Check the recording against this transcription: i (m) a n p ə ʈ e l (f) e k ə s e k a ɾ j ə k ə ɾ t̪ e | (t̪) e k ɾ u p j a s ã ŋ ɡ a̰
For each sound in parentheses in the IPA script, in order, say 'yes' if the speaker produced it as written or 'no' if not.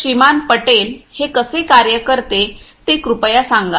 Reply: yes, no, yes

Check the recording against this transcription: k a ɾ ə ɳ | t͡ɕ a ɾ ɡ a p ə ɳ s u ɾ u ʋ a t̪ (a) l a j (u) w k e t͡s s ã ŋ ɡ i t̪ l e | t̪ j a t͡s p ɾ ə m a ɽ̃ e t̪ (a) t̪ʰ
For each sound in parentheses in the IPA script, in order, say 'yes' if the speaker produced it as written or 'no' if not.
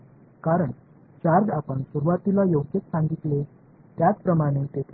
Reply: no, no, no

